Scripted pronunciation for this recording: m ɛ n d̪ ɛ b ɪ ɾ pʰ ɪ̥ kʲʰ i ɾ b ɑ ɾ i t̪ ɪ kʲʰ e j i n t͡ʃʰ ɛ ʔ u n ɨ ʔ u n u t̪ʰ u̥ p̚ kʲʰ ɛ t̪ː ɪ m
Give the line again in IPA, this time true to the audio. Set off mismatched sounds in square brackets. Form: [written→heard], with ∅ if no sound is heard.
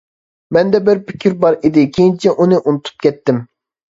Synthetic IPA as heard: m ɛ n d̪ ɛ b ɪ ɾ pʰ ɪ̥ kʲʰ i ɾ b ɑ ɾ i [t̪→d̪] ɪ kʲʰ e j i n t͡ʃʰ ɛ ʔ u n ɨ ʔ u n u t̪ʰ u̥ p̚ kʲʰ ɛ t̪ː ɪ m